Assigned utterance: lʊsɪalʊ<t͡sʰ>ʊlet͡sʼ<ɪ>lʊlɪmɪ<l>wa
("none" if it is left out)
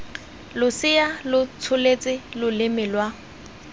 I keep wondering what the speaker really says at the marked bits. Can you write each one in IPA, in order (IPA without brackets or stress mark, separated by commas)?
t͡sʰ, ɪ, l